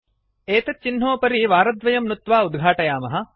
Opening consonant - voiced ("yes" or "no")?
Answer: no